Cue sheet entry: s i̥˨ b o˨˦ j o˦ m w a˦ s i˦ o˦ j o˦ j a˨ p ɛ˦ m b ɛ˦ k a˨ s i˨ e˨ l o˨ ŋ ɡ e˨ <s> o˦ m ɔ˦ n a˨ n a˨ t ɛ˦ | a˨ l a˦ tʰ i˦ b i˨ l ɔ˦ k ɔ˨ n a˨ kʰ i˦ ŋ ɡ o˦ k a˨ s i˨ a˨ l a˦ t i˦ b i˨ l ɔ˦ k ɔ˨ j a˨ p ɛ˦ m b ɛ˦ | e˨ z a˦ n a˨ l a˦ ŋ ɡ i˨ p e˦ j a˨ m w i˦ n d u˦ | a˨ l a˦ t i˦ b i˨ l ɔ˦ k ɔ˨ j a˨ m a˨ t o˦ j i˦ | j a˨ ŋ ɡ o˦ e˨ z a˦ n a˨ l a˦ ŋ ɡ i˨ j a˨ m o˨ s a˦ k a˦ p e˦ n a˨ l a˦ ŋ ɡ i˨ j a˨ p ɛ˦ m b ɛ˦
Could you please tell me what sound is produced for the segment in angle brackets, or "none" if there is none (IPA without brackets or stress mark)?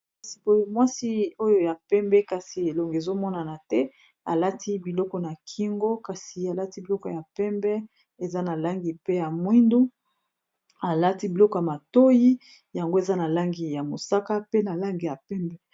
z